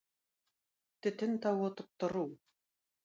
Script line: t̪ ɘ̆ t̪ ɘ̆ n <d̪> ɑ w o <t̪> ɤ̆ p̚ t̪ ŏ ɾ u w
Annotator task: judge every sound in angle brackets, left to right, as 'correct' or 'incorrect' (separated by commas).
incorrect, correct